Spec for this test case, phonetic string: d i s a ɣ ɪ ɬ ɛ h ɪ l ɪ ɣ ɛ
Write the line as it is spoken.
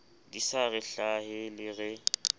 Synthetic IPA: d i s a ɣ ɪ ɬ a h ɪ l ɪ ɣ ɛ